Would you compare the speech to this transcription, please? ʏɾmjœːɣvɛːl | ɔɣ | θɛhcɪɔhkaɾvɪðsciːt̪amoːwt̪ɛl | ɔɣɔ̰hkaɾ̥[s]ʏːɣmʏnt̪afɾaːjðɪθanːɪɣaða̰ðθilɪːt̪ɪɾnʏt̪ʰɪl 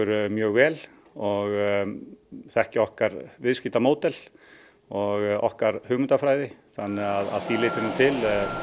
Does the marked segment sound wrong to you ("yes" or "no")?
yes